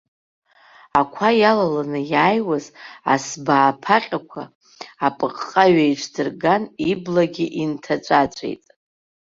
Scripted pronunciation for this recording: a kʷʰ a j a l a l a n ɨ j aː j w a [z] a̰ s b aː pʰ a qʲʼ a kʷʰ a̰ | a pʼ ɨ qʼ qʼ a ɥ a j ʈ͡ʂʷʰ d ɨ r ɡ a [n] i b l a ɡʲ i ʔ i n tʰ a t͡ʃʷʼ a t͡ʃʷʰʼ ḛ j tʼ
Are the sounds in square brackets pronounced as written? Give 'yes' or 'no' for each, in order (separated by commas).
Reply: yes, yes